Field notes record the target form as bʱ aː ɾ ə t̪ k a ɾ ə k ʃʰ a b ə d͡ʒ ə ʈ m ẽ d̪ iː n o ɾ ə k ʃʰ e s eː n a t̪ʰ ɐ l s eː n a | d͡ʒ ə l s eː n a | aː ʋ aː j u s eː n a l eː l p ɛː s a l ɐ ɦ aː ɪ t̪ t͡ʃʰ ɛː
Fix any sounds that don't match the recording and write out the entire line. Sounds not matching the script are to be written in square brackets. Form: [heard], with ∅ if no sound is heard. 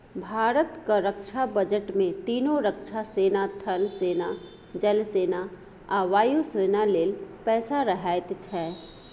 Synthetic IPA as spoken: bʱ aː ɾ ə t̪ k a ɾ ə k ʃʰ a b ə d͡ʒ ə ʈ m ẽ [t̪] iː n o ɾ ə k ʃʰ [a] s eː n a t̪ʰ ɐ l s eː n a | d͡ʒ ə l s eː n a | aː ʋ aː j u s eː n a l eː l p ɛː s a [ɾ] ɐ ɦ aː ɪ t̪ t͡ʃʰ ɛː